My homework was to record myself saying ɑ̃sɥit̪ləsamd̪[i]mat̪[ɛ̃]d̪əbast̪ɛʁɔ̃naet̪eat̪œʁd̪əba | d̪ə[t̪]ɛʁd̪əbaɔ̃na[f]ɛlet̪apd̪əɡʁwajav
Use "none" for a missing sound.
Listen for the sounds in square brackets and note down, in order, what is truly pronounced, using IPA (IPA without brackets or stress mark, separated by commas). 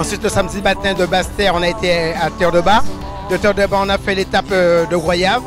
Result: i, ɛ̃, t̪, f